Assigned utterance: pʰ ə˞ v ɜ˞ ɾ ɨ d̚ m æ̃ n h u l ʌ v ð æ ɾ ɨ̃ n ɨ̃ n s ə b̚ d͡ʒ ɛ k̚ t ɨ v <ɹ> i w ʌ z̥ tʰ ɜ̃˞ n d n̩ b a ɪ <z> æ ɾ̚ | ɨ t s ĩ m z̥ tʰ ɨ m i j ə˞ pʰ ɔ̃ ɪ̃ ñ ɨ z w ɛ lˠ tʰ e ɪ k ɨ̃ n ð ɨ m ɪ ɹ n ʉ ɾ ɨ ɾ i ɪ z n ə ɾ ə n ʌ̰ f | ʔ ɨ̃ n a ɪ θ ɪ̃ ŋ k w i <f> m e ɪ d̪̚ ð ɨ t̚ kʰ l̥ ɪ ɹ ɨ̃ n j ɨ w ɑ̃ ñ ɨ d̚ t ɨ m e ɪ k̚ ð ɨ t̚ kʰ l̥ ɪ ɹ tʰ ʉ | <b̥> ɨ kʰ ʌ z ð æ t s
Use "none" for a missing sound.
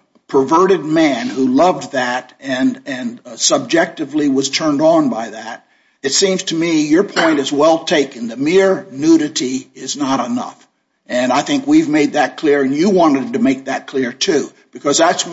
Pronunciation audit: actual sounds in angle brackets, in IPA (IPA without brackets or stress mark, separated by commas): l, ð, v, b̥